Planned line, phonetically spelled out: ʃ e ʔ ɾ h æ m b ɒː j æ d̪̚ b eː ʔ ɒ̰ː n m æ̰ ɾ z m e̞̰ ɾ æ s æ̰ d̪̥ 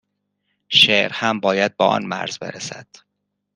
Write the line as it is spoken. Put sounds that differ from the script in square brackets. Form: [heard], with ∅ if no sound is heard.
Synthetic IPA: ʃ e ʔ ɾ h æ m b ɒː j æ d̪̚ b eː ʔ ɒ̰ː n m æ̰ ɾ z [b] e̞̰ ɾ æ s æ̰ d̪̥